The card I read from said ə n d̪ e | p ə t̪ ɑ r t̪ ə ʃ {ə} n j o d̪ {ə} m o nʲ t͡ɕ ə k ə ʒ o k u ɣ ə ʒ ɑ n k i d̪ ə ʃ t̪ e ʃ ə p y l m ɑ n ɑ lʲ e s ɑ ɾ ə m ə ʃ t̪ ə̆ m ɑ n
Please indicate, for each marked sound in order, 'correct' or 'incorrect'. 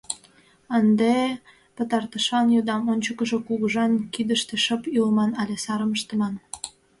incorrect: ɑ, incorrect: ɑ

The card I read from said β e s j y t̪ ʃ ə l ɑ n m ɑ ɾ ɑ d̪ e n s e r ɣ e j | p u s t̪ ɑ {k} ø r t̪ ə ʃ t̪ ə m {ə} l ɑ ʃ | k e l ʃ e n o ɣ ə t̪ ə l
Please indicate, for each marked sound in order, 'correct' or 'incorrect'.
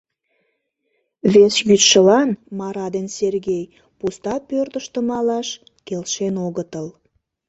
incorrect: p, incorrect: ɑ

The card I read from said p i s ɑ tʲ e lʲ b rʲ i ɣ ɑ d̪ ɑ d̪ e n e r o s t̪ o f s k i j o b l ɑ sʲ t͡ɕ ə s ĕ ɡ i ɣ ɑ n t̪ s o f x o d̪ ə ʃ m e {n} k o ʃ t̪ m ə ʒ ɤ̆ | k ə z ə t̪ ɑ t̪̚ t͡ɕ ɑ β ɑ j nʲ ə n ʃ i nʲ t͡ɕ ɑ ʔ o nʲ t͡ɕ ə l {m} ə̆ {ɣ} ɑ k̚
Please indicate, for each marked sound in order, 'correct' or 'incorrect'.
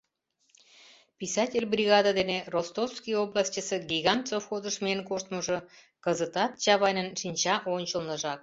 correct, incorrect: n, incorrect: ʒ

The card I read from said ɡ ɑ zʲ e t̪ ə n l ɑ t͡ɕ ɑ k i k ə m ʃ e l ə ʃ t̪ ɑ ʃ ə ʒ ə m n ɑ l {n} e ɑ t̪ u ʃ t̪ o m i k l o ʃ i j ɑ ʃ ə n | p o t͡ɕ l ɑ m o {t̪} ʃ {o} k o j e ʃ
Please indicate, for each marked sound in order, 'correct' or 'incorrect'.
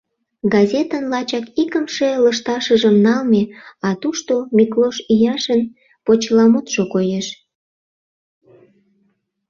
incorrect: m, correct, correct

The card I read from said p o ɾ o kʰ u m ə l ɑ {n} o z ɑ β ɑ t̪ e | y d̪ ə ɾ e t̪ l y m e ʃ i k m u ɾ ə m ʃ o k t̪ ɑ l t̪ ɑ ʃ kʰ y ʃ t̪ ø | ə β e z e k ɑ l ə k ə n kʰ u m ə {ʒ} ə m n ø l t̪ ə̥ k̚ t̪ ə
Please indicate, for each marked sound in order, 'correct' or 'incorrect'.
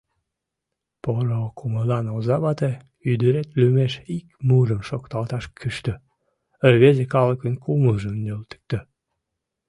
correct, correct

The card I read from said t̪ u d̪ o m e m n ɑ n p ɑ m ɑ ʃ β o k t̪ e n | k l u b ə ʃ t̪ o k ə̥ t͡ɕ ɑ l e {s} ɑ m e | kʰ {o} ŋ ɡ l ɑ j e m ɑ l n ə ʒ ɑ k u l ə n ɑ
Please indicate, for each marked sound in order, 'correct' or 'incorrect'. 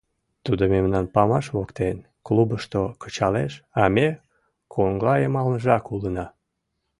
incorrect: ʃ, correct

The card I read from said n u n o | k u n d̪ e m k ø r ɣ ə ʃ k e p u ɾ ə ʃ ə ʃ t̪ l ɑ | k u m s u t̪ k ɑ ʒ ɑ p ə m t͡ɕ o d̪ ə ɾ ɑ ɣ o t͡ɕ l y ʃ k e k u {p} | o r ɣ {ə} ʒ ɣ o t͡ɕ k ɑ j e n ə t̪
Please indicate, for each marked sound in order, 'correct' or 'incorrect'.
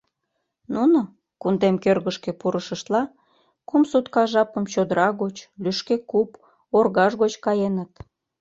correct, incorrect: ɑ

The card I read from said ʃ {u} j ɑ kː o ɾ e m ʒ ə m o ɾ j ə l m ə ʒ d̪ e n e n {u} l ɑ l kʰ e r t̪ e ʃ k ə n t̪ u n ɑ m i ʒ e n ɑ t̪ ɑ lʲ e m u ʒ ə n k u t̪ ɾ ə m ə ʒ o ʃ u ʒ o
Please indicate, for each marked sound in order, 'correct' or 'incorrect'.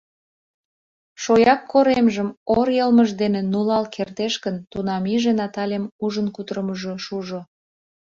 incorrect: o, correct

